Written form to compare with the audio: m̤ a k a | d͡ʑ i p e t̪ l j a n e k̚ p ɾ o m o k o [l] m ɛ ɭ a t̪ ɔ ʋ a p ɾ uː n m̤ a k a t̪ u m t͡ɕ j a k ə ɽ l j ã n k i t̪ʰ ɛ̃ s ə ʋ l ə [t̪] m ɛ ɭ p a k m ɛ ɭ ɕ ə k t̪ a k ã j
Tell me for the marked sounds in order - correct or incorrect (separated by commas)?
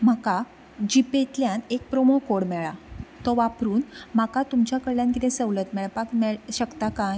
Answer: incorrect, correct